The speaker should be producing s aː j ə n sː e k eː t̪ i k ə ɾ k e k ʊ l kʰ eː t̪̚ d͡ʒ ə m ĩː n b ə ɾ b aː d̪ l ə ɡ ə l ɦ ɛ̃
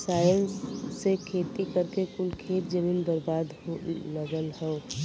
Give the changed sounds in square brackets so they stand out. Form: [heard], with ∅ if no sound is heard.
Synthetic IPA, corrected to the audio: s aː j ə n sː e [kʰ] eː t̪ i k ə ɾ k e k ʊ l kʰ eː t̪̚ d͡ʒ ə m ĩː n b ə ɾ b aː d̪ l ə ɡ ə l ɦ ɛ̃